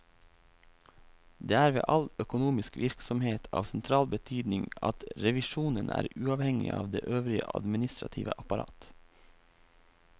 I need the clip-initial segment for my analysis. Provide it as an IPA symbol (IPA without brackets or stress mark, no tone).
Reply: d̪